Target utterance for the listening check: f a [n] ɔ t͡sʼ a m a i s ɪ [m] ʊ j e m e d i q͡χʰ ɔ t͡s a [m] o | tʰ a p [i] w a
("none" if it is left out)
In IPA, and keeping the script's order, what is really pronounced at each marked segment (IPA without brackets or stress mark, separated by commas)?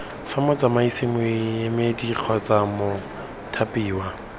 m, m, m, iː